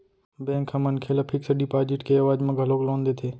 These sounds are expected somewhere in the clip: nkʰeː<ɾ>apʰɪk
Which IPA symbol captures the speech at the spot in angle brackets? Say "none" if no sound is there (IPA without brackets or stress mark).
l